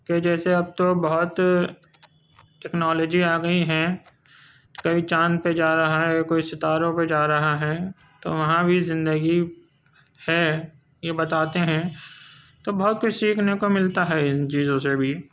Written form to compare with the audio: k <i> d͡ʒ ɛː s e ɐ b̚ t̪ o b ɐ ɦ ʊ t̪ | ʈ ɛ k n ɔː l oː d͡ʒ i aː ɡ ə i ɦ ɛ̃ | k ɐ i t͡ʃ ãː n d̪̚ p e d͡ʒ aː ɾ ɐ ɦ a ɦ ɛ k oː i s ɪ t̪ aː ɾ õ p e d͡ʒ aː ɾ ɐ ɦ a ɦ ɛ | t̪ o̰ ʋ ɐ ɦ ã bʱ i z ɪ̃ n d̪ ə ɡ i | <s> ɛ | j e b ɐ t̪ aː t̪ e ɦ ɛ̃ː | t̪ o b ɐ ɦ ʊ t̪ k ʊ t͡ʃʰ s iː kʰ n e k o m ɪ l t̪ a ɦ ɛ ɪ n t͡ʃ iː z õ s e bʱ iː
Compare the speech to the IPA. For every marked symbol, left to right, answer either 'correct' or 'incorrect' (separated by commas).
incorrect, incorrect